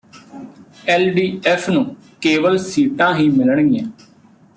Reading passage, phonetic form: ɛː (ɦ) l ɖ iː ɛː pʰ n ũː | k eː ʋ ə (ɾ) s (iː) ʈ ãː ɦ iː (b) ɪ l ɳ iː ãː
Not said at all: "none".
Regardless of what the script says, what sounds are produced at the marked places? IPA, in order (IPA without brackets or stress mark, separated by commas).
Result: none, l, iː, m